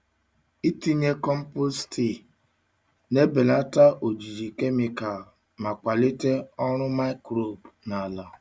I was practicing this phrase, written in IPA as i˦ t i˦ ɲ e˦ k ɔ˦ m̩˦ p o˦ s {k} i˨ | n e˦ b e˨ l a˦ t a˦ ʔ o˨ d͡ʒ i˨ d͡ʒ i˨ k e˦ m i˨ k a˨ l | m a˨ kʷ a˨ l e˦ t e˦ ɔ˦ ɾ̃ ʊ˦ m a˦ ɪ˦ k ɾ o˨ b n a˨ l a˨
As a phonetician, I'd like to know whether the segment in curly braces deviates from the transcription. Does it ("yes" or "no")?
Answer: yes